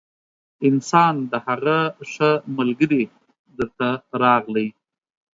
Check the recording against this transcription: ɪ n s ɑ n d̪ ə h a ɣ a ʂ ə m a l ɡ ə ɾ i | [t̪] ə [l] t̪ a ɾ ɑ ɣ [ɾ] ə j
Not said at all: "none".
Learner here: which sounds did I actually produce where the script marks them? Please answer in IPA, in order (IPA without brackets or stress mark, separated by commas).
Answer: d̪, ɾ, l